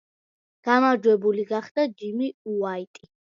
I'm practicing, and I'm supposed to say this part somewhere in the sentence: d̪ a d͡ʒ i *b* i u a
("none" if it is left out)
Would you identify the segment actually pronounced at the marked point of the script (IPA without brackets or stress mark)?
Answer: m